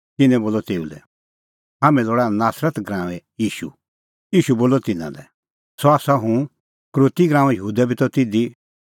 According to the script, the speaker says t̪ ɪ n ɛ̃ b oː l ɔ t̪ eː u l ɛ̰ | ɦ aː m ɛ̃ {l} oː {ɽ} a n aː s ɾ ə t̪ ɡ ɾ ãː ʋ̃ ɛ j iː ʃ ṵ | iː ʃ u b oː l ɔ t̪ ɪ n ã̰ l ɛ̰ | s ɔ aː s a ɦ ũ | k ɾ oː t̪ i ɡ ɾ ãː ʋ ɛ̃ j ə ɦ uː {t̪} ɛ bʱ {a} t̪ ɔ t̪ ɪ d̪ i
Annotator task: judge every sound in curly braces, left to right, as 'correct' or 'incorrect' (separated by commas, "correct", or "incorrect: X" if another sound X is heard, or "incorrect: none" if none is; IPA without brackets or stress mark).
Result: correct, correct, incorrect: d̪, incorrect: i